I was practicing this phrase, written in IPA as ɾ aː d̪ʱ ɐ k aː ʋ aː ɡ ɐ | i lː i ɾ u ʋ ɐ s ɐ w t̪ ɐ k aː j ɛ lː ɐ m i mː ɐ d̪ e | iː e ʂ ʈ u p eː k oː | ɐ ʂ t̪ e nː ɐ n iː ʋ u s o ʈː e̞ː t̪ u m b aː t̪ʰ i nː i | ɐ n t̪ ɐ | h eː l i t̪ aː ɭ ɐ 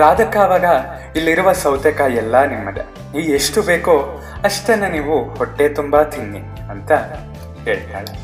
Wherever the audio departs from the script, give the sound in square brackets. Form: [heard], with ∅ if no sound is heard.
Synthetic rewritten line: ɾ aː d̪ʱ ɐ k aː ʋ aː ɡ ɐ | i lː i ɾ u ʋ ɐ s ɐ w t̪ ɐ k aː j ɛ lː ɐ [n] i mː ɐ d̪ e | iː e ʂ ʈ u [b] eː k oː | ɐ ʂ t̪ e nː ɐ n iː ʋ u [h] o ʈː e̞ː t̪ u m b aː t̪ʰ i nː i | ɐ n t̪ ɐ | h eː [ɭ] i t̪ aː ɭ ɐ